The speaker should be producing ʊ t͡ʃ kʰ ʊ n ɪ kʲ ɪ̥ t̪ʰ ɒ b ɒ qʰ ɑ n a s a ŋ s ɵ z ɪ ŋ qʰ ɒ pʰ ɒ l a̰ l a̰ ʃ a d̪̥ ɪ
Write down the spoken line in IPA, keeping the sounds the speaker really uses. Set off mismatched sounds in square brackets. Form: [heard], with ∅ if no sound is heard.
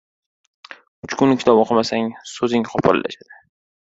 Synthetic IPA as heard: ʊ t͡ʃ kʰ ʊ n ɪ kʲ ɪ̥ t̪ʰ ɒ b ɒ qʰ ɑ [m] a s a ŋ s ɵ z ɪ ŋ qʰ ɒ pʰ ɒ l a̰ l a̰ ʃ a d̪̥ ɪ